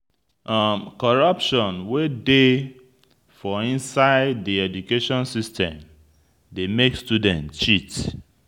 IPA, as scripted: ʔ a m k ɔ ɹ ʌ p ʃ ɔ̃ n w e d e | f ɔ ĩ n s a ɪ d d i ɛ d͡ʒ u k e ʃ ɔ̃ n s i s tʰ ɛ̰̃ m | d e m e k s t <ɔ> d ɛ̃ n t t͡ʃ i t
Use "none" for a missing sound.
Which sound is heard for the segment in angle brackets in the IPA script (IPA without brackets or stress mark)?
u